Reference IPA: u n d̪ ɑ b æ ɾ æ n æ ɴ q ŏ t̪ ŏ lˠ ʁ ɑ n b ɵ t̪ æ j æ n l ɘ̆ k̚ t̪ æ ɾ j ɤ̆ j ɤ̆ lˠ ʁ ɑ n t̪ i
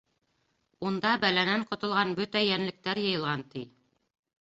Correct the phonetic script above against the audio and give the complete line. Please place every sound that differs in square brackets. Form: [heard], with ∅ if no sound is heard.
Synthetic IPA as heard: u n d̪ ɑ b æ [l] æ n æ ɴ q ŏ t̪ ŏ lˠ ʁ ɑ n b ɵ t̪ æ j æ n l ɘ̆ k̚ t̪ æ ɾ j ɤ̆ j ɤ̆ lˠ ʁ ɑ n t̪ i